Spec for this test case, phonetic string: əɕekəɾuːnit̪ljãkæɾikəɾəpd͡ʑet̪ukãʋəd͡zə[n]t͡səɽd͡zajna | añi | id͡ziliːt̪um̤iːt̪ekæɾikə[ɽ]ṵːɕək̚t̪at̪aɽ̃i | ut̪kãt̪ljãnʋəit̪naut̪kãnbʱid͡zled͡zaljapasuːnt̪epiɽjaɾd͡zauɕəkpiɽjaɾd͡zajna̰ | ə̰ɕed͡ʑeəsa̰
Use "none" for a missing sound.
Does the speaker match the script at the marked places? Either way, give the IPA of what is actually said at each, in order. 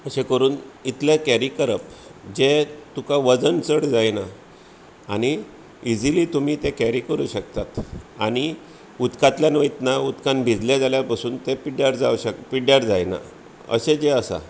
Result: n, ɾ

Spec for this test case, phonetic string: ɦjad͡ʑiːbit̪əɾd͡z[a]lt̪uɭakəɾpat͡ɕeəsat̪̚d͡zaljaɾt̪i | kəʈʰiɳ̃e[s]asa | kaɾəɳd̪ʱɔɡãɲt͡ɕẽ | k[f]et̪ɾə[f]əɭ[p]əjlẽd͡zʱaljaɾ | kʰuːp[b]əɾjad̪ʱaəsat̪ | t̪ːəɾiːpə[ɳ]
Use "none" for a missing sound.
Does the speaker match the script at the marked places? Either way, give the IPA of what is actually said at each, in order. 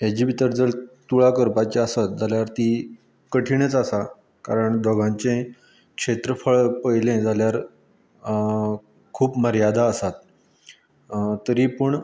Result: ə, t͡s, ʂ, f, p, m, ɳ

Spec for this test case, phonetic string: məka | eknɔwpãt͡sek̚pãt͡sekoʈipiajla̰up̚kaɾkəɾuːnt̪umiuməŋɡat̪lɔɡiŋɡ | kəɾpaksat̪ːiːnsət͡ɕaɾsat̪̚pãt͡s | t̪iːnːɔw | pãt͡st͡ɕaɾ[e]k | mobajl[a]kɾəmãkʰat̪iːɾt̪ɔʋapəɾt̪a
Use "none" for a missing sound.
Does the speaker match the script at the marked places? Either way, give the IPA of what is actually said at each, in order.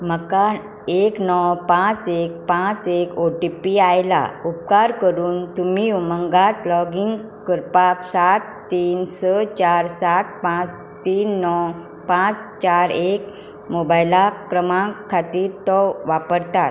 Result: e, a

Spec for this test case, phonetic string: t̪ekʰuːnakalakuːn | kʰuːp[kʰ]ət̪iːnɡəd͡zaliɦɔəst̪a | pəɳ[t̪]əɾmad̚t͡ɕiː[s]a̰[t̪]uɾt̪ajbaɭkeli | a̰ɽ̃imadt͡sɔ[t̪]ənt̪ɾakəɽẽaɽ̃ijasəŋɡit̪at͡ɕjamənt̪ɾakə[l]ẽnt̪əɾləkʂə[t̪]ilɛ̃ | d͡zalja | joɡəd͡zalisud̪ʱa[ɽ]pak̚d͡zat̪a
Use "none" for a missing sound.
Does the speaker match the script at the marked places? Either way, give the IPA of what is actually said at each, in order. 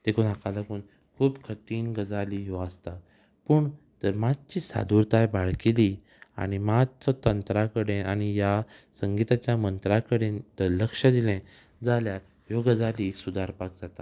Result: kʰ, t̪, s, d̪, t̪, ɽ, d̪, ɾ

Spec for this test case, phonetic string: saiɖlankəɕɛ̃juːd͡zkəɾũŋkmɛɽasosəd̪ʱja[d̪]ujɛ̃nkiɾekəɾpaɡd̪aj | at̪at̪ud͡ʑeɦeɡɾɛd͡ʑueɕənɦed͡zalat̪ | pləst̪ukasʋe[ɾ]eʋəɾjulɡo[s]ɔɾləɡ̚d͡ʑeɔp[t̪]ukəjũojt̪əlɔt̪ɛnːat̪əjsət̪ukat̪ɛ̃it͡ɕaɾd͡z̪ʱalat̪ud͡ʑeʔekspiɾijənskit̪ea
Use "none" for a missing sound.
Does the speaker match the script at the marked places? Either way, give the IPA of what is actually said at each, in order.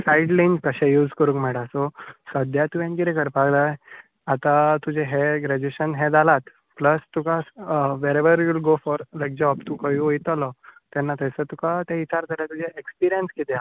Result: t̪, ɾ, f, t̪

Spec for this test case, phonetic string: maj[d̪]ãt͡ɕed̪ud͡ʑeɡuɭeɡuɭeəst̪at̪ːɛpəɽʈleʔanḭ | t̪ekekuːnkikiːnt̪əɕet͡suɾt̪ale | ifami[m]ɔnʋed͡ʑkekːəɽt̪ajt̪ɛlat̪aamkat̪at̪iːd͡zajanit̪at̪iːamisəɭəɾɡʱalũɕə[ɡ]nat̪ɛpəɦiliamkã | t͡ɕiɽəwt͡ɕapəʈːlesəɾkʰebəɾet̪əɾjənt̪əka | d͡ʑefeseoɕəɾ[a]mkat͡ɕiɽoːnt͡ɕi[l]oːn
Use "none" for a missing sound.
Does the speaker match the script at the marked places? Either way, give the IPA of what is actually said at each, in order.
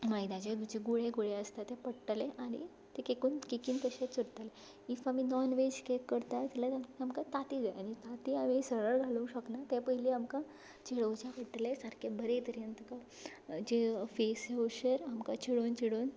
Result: d̪, n, k, a, ɽ

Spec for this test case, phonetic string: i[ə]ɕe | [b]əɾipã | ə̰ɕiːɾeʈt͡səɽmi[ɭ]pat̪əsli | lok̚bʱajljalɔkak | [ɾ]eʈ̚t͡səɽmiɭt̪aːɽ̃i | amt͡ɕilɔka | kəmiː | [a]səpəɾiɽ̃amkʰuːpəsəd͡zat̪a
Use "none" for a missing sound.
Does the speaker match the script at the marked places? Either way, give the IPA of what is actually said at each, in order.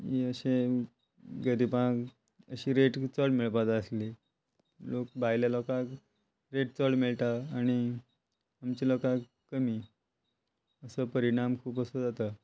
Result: ə, ɡ, ɭ, ɾ, ə

